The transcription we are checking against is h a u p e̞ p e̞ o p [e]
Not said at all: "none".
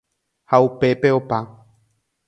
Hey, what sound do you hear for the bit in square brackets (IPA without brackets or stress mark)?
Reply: a